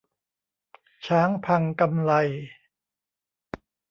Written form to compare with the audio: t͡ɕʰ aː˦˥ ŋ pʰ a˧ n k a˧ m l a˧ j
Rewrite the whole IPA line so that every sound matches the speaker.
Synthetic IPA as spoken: t͡ɕʰ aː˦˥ ŋ pʰ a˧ ŋ k a˧ m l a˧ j

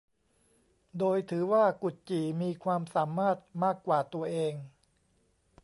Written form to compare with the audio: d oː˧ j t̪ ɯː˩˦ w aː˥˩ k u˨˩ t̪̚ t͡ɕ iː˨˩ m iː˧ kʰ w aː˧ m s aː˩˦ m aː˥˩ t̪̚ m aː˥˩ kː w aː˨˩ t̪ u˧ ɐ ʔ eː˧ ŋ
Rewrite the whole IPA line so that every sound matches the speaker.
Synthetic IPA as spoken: d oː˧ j t̪ʰ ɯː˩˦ w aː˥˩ k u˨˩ t̪̚ t͡ɕ iː˨˩ m iː˧ kʰ w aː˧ m s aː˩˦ m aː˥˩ t̪̚ m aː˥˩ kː w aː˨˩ t̪ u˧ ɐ ʔ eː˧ ŋ

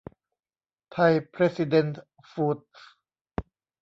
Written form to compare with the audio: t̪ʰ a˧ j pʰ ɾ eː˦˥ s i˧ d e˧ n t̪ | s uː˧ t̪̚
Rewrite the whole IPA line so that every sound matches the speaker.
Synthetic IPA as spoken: t̪ʰ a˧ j pʰ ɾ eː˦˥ s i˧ d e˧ n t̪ | f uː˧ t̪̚

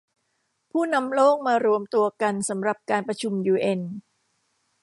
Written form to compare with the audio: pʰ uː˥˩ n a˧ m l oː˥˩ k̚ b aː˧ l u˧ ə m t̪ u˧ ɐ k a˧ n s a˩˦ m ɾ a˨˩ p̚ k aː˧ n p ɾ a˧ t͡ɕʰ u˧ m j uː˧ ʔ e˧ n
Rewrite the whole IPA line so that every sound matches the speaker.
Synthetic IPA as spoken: pʰ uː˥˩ n a˧ m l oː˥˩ k̚ m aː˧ ɾ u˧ ə m t̪ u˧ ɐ k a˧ n s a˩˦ m ɾ a˨˩ p̚ k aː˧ n p ɾ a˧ t͡ɕʰ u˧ m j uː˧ ʔ e˧ n

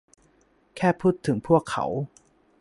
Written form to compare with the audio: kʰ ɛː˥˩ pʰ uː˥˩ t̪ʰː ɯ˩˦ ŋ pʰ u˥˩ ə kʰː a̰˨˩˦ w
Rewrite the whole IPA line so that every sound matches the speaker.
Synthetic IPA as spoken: kʰ ɛː˥˩ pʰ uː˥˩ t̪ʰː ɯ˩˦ ŋ pʰ u˥˩ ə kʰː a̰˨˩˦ w

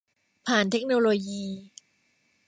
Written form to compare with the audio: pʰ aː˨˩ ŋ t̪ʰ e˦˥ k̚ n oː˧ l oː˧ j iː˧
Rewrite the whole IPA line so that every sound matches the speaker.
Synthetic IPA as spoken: pʰ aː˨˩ n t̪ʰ e˦˥ k̚ n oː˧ l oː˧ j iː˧

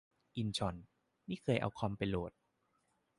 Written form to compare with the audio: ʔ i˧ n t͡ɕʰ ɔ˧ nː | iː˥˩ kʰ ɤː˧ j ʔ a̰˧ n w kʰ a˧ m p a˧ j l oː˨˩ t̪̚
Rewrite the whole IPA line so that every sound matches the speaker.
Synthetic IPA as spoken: ʔ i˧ n t͡ɕʰ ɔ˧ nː | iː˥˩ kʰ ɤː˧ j ʔ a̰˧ w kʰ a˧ m p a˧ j l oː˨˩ t̪̚

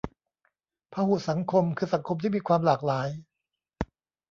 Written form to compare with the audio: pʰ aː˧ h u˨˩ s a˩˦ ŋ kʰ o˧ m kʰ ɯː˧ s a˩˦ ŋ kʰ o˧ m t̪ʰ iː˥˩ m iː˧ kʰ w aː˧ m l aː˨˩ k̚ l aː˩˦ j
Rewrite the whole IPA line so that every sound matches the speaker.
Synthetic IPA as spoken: pʰ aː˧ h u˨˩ s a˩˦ ŋ kʰ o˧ m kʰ ɯː˧ s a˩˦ ŋ kʰ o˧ m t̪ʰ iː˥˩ m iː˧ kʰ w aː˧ m l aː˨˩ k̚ l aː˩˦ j

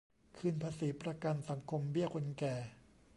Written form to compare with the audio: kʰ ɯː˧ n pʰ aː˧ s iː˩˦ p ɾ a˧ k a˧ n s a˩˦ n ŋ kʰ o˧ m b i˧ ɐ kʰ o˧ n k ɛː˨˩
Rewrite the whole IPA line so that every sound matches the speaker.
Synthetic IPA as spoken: kʰ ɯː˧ n pʰ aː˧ s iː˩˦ p ɾ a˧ k a˧ n s a˩˦ ŋ kʰ o˧ m b i˥˩ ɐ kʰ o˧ n k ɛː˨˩

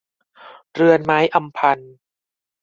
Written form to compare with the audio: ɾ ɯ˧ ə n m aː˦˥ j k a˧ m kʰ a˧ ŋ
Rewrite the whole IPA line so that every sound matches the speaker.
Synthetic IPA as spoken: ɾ ɯ˧ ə n m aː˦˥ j ʔ a˧ m pʰ a˧ n

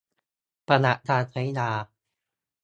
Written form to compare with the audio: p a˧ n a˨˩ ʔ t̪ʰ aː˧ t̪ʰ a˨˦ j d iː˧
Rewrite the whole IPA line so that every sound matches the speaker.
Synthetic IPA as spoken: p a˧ n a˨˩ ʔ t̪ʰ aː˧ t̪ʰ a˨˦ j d aː˧

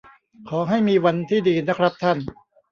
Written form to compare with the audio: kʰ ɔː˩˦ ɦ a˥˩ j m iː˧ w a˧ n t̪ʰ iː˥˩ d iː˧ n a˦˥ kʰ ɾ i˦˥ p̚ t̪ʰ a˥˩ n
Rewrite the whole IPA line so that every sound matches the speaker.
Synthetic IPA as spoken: kʰ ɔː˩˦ ɦ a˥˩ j m iː˧ w a˧ n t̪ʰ iː˥˩ d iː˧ n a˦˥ kʰ ɾ a˦˥ p̚ t̪ʰ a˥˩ n

